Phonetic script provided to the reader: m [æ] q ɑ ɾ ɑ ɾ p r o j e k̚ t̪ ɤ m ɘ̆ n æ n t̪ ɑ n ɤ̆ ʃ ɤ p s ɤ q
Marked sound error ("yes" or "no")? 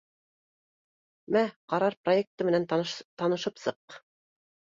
no